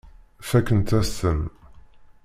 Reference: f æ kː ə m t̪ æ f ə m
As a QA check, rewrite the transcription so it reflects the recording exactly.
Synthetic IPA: f æ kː ə n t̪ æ s ə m